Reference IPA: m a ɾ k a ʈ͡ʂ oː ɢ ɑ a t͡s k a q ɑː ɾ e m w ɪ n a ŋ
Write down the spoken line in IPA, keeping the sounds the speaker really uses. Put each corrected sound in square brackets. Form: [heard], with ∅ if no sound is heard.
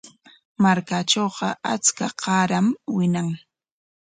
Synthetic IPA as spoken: m a ɾ k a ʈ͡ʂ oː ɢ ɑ a t͡s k a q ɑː ɾ [a] m w ɪ n a ŋ